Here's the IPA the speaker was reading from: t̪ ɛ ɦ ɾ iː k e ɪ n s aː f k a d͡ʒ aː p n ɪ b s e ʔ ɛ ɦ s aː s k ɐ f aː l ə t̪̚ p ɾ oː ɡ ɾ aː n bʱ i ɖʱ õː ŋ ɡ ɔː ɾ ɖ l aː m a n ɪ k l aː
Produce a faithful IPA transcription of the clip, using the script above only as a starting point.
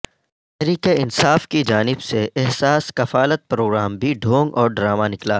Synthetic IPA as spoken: t̪ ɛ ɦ ɾ iː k e ɪ n s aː f k i d͡ʒ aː n ɪ b s e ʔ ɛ ɦ s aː s k ɐ f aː l ə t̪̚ p ɾ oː ɡ ɾ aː m bʱ i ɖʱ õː ŋ ɡ ɔː ɾ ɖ ɾ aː m a n ɪ k l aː